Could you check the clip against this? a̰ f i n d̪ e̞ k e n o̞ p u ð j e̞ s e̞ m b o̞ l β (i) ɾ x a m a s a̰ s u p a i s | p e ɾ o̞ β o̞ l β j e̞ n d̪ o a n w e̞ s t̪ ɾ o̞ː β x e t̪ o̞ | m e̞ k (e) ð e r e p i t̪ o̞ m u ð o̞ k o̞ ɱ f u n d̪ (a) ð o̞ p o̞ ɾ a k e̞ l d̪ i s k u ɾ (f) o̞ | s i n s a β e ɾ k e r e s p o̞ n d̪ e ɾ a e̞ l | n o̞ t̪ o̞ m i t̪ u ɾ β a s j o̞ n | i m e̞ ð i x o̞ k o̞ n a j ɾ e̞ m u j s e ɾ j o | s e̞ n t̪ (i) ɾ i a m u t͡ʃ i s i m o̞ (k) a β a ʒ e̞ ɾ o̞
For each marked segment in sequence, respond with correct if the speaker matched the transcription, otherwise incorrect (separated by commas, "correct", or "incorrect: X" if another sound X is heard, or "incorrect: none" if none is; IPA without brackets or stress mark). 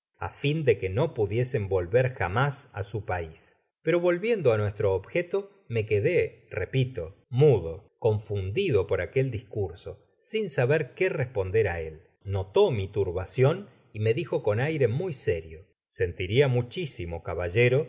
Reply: incorrect: e, correct, incorrect: i, incorrect: s, correct, correct